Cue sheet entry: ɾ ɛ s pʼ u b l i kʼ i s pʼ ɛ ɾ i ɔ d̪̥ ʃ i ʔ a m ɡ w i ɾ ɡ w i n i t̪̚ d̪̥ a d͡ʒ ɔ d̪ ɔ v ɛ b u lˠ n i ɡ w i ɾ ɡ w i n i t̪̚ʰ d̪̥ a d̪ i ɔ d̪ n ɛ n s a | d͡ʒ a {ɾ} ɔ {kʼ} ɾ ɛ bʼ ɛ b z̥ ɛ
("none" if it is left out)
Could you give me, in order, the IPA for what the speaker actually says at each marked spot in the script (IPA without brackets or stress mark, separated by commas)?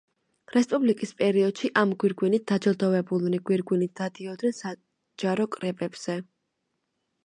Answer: ɾ, kʼ